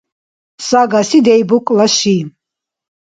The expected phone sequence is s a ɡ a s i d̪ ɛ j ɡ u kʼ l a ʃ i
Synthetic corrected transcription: s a ɡ a s i d̪ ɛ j b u kʼ l a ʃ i